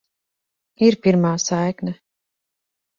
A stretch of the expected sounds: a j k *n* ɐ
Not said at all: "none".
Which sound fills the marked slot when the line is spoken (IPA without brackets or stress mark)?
n